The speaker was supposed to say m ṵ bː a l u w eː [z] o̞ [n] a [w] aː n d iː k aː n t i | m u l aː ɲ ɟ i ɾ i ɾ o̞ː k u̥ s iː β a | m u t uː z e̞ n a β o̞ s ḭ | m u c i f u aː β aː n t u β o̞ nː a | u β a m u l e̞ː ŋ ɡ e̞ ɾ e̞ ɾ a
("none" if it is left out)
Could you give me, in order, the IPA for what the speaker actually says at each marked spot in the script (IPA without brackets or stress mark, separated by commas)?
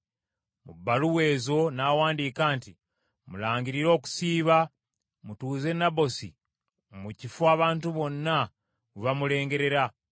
z, n, w